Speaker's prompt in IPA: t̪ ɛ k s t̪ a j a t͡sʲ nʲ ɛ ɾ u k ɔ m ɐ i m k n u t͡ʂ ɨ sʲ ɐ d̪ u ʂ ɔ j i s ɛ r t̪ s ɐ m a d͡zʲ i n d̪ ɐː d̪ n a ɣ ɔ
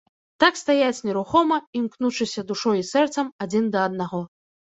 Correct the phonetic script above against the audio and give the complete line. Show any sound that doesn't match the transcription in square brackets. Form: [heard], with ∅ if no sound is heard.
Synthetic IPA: t̪ [a] k s t̪ a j a t͡sʲ nʲ ɛ ɾ u [x] ɔ m ɐ i m k n u t͡ʂ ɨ sʲ ɐ d̪ u ʂ ɔ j i s ɛ r t̪ s ɐ m a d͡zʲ i n d̪ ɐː d̪ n a ɣ ɔ

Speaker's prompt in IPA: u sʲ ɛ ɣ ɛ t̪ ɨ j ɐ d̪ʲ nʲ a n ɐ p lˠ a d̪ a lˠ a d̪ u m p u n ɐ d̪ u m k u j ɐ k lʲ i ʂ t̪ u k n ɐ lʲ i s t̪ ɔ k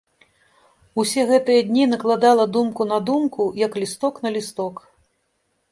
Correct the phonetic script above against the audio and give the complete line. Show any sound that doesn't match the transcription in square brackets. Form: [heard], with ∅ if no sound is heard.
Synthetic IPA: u sʲ ɛ ɣ ɛ t̪ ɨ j ɐ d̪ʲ nʲ [i] n ɐ [k] lˠ a d̪ a lˠ [ɐ] d̪ u m [k] u n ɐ d̪ u m k u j ɐ k lʲ i [s] t̪ [ɔ] k n ɐ lʲ i s t̪ ɔ k

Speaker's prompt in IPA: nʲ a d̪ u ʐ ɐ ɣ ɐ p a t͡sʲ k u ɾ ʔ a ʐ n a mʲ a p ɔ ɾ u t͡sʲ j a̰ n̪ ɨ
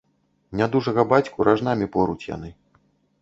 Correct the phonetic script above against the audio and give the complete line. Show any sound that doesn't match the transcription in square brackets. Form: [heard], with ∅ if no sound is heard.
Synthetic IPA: nʲ a d̪ u ʐ ɐ ɣ ɐ [b] a t͡sʲ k u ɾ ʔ a ʐ n a mʲ [i] p ɔ ɾ u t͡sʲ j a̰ n̪ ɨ

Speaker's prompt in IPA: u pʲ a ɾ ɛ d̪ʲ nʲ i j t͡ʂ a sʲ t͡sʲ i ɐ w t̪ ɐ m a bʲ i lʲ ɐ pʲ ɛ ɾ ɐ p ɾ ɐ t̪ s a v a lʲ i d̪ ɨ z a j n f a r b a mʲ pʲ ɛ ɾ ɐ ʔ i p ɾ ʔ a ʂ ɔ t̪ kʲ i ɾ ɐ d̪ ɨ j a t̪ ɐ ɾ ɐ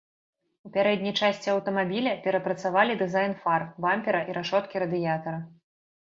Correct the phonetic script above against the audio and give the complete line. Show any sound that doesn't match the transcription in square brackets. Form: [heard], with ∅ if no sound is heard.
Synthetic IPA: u pʲ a ɾ ɛ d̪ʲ nʲ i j t͡ʂ a sʲ t͡sʲ i ɐ w t̪ ɐ m a bʲ i lʲ ɐ pʲ ɛ ɾ ɐ p ɾ ɐ t̪ s a v a lʲ i d̪ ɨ z a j n f a r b a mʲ pʲ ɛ ɾ ɐ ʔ i [∅] ɾ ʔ a ʂ ɔ t̪ kʲ i ɾ ɐ d̪ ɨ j a t̪ ɐ ɾ ɐ

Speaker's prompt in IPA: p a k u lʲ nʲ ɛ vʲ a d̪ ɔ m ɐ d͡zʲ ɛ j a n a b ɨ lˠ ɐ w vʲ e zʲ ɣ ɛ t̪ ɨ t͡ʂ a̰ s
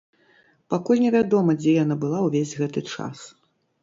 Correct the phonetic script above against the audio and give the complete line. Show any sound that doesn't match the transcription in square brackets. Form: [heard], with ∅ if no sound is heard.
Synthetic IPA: p a k u lʲ nʲ ɛ vʲ a d̪ ɔ m ɐ d͡zʲ ɛ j a n a b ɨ lˠ [a] w vʲ e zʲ ɣ ɛ t̪ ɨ t͡ʂ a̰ s

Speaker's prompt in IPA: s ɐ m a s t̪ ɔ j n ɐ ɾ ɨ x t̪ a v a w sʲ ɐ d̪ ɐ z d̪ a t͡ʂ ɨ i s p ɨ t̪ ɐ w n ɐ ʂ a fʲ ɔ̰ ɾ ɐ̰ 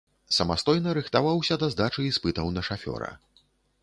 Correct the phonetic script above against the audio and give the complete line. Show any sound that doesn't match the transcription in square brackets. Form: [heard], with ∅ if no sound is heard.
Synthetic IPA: s ɐ m a s t̪ ɔ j n ɐ ɾ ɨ x t̪ a v a w sʲ ɐ d̪ ɐ z d̪ a t͡ʂ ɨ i s p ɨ t̪ ɐ w n ɐ ʂ a fʲ ɔ̰ ɾ ɐ̰

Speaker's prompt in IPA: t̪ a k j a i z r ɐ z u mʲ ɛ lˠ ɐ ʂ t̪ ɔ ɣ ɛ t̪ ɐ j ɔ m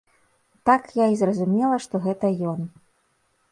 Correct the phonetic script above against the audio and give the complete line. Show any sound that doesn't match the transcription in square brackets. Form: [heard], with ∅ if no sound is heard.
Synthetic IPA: t̪ a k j a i z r ɐ z u mʲ ɛ lˠ ɐ ʂ t̪ ɔ ɣ ɛ t̪ ɐ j ɔ [n]

